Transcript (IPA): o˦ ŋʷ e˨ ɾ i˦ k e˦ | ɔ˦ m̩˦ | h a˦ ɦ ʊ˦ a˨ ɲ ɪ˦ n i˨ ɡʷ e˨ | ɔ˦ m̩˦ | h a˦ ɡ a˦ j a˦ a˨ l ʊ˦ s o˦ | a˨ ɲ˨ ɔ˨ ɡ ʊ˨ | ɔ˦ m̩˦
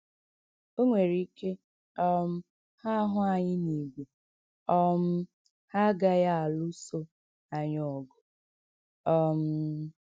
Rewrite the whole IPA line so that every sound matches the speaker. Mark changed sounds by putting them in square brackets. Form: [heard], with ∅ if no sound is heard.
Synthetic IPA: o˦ ŋʷ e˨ ɾ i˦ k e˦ | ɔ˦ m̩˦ | h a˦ ɦ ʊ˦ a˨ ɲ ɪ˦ n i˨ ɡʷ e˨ | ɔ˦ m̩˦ | h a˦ ɡ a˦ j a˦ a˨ l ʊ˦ s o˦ | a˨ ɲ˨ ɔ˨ ɡ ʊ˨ | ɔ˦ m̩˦